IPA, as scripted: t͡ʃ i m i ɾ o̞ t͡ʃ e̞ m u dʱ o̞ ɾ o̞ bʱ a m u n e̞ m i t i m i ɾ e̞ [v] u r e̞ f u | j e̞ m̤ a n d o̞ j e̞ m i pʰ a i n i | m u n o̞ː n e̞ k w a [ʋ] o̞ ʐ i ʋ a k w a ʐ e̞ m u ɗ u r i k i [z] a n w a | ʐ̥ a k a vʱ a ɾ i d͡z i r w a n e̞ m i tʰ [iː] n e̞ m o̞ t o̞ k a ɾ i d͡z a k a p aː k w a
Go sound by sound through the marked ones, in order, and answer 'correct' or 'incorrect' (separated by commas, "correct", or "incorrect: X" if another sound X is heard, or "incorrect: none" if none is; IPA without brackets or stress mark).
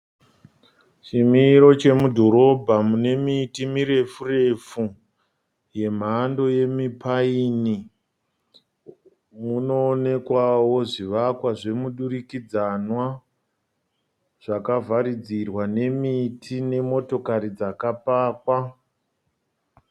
incorrect: f, incorrect: w, incorrect: d͡z, incorrect: i